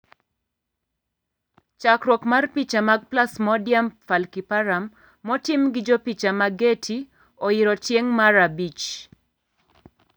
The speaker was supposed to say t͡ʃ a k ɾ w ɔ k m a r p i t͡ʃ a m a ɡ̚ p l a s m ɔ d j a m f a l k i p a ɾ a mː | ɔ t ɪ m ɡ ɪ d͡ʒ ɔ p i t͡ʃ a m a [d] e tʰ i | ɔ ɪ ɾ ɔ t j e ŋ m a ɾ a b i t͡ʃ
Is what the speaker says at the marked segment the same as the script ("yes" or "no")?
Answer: no